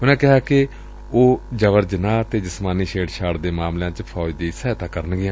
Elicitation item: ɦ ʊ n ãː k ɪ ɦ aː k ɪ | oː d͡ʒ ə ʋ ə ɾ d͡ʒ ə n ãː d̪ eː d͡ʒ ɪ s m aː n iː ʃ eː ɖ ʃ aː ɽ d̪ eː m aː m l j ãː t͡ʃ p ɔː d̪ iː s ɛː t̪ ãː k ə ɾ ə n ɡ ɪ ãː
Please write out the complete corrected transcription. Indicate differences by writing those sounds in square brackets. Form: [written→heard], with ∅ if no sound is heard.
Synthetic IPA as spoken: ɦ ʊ n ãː k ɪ ɦ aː k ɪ | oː d͡ʒ ə ʋ ə ɾ d͡ʒ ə n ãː [d̪→t̪] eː d͡ʒ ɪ s m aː n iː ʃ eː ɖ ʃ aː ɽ d̪ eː m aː m l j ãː t͡ʃ [p→pʰ] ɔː d̪ iː s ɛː t̪ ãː k ə ɾ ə n ɡ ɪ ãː

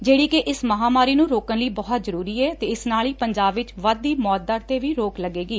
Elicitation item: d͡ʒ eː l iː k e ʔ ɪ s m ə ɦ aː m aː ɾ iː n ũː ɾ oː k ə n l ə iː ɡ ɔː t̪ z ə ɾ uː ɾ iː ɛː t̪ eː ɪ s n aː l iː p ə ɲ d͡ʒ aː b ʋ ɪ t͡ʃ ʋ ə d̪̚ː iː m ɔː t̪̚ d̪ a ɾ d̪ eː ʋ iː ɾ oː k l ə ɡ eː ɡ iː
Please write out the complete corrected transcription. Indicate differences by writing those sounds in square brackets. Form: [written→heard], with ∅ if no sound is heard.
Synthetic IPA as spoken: d͡ʒ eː [l→ɽ] iː k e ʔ ɪ s m ə ɦ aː m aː ɾ iː n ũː ɾ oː k ə n l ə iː [ɡ→b] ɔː t̪ z ə ɾ uː ɾ iː ɛː t̪ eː ɪ s n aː l iː p ə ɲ d͡ʒ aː b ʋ ɪ t͡ʃ ʋ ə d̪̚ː iː m ɔː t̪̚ d̪ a ɾ [d̪→t̪] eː ʋ iː ɾ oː k l ə ɡ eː ɡ iː

